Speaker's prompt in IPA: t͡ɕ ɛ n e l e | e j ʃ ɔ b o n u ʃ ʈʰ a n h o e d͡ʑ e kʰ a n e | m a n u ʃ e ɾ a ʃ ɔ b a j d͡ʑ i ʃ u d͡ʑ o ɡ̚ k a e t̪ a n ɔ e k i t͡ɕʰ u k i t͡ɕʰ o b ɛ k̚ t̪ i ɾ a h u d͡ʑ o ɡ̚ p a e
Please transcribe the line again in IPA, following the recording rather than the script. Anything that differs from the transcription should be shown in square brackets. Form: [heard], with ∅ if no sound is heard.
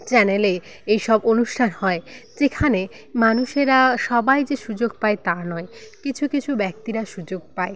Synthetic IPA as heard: t͡ɕ ɛ n e l e | e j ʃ ɔ b o n u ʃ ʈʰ a n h [ɔ] e d͡ʑ e kʰ a n e | m a n u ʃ e ɾ a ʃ ɔ b a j d͡ʑ [e] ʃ u d͡ʑ o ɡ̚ [p] a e t̪ a n ɔ e k i t͡ɕʰ u k i t͡ɕʰ [u] b ɛ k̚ t̪ i ɾ a [ʃ] u d͡ʑ o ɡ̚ p a e

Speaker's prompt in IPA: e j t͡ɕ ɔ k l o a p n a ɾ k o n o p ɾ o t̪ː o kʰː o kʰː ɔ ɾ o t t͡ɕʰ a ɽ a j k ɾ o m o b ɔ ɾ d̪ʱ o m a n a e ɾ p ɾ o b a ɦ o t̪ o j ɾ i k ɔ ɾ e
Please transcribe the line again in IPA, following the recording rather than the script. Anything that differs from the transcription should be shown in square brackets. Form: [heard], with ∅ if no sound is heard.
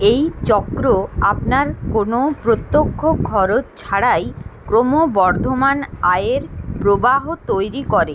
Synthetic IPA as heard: e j t͡ɕ ɔ k [ɾ] o a p n a ɾ k o n o p ɾ o t̪ː o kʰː o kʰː ɔ ɾ o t t͡ɕʰ a ɽ a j k ɾ o m o b ɔ ɾ d̪ʱ o m a n a e ɾ p ɾ o b a ɦ o t̪ o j ɾ i k ɔ ɾ e

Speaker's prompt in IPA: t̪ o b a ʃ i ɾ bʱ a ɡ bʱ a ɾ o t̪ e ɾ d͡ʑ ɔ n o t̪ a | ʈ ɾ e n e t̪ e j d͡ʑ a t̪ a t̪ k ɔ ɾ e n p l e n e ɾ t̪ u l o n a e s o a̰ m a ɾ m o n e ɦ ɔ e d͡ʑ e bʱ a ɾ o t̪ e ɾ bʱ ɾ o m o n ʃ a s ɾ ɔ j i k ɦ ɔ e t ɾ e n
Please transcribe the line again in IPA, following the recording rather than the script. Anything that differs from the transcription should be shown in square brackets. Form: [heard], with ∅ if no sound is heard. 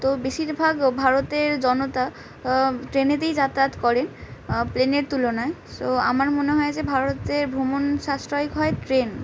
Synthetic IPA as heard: t̪ o b [e] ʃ i ɾ bʱ a ɡ bʱ a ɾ o t̪ e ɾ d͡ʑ ɔ n o t̪ a | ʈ ɾ e n e t̪ e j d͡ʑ a t̪ a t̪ k ɔ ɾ e n p l e n e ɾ t̪ u l o n a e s o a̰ m a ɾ m o n e ɦ ɔ e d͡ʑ e bʱ a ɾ o t̪ e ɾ bʱ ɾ o m o n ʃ a s ɾ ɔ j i k ɦ ɔ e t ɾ e n

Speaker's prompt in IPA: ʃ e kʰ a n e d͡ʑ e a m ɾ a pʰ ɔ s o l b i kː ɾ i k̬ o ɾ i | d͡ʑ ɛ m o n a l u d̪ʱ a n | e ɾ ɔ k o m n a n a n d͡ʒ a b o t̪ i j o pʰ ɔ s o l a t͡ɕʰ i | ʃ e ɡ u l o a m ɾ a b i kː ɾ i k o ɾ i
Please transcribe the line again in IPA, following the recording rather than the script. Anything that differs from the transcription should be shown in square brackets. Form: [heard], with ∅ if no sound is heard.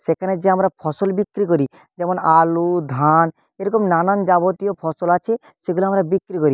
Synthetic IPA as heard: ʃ e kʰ a n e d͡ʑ e a m ɾ a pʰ ɔ s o l b i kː ɾ i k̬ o ɾ i | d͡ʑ ɛ m o n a l u d̪ʱ a n | e ɾ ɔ k o m n a n a n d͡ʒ a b o t̪ i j o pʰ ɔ s o l a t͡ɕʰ [e] | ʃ e ɡ u l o a m ɾ a b i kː ɾ i k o ɾ i

